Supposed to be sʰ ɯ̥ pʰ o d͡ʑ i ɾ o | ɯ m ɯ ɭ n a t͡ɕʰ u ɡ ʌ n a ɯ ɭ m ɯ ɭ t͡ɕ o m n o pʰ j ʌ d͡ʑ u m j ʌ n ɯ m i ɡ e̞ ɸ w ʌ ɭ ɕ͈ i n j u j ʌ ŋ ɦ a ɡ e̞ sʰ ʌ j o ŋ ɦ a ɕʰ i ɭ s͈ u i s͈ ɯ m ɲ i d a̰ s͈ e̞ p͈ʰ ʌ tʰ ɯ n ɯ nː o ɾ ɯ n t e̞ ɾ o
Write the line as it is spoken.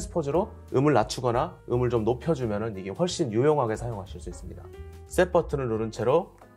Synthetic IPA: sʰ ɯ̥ pʰ o d͡ʑ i ɾ o | ɯ m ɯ ɭ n a t͡ɕʰ u ɡ ʌ n a ɯ m ɯ ɭ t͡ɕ o m n o pʰ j ʌ d͡ʑ u m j ʌ n ɯ n i ɡ e̞ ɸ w ʌ ɭ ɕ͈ i n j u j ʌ ŋ ɦ a ɡ e̞ sʰ a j o ŋ ɦ a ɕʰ i ɭ s͈ u i s͈ ɯ m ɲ i d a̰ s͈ e̞ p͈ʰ ʌ tʰ ɯ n ɯ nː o ɾ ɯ n t͡ɕʰ e̞ ɾ o